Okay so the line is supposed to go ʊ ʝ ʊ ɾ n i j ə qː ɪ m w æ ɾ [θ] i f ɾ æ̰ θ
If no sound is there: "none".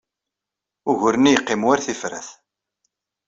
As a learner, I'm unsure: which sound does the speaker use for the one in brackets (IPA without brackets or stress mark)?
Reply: θ